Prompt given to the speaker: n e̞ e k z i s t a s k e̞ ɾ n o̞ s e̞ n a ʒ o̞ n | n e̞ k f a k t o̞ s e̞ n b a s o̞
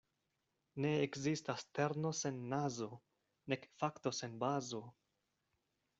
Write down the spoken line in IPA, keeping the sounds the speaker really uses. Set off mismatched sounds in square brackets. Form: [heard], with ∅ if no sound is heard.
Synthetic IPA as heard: n e̞ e k z i s t a s [t] e̞ ɾ n o̞ s e̞ [nː] a [z] o̞ [∅] | n e̞ k f a k t o̞ s e̞ n b a [z] o̞